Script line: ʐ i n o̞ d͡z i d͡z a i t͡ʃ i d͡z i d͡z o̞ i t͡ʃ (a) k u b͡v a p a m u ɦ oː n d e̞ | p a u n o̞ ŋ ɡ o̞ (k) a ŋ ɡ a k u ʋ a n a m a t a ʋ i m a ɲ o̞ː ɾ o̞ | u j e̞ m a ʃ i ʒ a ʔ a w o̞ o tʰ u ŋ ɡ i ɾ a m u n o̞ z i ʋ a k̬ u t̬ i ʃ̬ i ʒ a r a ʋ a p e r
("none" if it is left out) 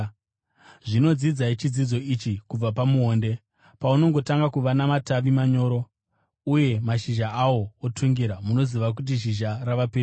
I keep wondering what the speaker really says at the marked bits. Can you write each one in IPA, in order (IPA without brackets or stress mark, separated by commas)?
i, t